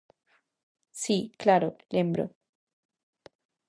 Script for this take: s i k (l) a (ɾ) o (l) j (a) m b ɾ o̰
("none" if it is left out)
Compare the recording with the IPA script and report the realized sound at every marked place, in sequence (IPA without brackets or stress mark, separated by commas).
l, ɾ, l, e